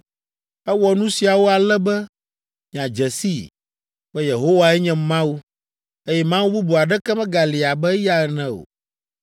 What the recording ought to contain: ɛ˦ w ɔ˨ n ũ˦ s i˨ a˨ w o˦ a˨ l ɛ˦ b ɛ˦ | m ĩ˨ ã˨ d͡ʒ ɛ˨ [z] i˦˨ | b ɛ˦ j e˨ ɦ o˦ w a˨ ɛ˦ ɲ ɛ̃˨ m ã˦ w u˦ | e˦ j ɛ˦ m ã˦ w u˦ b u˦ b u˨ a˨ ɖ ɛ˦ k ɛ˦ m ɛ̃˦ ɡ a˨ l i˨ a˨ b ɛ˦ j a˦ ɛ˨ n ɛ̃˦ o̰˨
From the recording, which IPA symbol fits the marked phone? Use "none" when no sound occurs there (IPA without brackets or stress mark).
s